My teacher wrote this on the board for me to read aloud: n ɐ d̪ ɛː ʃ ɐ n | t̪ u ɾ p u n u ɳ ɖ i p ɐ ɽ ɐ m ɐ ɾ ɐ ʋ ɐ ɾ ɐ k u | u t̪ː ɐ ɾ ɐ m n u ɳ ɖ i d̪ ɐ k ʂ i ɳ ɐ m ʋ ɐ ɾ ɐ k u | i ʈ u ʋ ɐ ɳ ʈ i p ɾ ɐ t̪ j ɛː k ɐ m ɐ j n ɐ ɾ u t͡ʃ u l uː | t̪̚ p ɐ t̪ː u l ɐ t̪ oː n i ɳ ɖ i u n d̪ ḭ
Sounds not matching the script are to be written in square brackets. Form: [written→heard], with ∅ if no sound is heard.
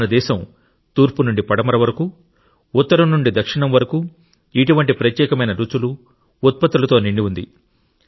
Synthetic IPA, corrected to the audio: n ɐ d̪ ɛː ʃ ɐ [n→m] | t̪ [u→uː] ɾ p u n u ɳ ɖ i p ɐ ɽ ɐ m ɐ ɾ ɐ ʋ ɐ ɾ ɐ k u | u t̪ː ɐ ɾ ɐ m n u ɳ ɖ i d̪ ɐ k ʂ i ɳ ɐ m ʋ ɐ ɾ ɐ k u | i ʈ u ʋ ɐ ɳ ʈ i p ɾ ɐ t̪ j ɛː k ɐ m ɐ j n ɐ ɾ u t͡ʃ u l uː | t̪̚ p ɐ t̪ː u l ɐ t̪ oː n i ɳ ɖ i u n d̪ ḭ